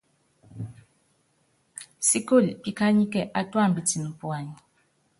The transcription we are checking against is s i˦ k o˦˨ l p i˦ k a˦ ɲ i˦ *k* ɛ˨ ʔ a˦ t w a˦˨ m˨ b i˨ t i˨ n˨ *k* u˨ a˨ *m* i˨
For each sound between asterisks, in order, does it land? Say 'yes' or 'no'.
yes, no, no

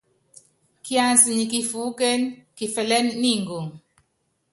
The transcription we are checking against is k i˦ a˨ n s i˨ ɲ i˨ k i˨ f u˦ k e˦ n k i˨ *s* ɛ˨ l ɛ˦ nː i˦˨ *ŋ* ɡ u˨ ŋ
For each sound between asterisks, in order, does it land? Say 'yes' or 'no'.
no, yes

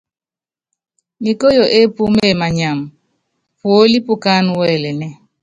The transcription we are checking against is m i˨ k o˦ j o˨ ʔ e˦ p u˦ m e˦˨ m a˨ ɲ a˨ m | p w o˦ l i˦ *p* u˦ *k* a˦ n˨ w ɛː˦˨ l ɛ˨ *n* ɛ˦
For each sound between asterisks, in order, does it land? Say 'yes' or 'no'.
yes, yes, yes

